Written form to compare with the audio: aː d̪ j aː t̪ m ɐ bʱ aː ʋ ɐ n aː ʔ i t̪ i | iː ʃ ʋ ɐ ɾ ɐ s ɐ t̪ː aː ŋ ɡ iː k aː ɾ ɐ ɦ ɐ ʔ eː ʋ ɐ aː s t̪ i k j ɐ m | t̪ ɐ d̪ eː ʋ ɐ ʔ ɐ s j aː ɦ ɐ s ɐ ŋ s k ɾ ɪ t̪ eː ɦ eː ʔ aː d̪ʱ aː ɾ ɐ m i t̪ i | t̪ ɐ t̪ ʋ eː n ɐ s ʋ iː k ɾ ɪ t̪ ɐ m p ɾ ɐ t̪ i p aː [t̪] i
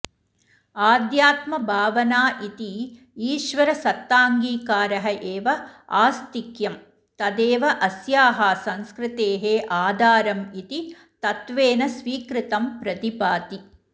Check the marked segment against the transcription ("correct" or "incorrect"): correct